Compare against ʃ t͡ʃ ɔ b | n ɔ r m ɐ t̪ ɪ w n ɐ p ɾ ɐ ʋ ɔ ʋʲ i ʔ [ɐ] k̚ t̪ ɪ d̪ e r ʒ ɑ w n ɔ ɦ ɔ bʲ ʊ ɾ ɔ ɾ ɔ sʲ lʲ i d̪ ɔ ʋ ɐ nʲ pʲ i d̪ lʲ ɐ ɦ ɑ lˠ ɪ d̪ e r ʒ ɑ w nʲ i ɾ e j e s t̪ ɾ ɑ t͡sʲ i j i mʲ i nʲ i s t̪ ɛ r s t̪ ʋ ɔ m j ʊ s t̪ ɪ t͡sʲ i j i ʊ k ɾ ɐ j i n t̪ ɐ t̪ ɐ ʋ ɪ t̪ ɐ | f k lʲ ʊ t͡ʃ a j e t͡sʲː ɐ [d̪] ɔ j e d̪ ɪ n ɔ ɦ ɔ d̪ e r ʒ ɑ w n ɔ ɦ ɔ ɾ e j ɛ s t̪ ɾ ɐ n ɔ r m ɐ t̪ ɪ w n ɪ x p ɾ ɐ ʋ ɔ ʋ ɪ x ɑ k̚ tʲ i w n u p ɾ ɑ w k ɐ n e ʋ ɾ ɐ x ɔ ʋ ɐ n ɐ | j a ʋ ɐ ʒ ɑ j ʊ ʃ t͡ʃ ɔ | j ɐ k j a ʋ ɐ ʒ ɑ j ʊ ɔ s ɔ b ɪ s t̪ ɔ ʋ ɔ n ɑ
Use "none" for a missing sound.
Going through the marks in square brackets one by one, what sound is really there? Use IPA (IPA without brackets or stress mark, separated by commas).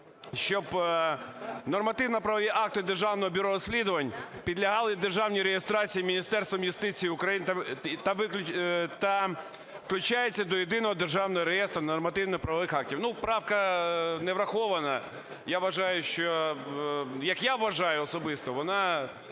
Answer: ɑ, d̪